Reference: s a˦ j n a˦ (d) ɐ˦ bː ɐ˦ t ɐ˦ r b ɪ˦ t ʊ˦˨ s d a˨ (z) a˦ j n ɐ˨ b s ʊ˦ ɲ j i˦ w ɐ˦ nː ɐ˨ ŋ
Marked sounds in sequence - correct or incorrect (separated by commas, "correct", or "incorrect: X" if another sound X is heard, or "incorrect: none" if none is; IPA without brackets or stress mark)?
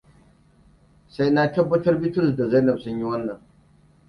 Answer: incorrect: t, correct